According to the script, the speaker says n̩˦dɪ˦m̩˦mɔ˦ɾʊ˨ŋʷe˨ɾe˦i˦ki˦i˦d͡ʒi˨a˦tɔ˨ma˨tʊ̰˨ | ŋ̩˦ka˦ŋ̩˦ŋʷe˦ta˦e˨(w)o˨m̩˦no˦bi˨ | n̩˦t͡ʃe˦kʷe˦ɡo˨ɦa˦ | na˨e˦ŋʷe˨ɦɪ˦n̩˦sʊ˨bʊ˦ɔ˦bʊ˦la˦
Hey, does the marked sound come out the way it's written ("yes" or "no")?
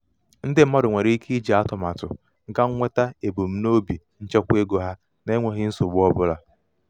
no